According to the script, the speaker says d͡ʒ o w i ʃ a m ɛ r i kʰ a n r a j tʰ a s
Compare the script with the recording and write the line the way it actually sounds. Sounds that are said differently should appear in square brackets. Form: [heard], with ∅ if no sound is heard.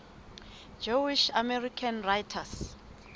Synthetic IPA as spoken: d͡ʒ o w i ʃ a m ɛ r i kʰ a n r a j tʰ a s